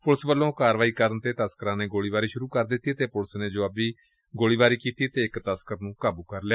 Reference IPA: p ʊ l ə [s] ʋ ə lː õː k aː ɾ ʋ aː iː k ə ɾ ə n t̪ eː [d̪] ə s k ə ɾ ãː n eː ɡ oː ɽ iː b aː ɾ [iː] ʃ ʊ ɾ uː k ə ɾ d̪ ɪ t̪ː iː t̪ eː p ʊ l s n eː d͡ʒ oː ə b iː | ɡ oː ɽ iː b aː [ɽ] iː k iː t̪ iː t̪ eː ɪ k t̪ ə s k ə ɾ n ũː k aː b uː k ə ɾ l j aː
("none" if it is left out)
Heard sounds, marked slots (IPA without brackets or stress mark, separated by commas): s, t̪, iː, ɾ